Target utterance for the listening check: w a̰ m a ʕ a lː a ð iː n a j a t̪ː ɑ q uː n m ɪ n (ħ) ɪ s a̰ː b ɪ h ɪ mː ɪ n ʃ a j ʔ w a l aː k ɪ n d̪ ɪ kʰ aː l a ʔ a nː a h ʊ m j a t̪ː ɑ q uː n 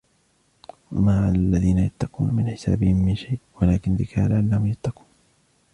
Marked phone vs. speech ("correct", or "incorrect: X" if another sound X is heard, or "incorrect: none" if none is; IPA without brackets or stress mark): correct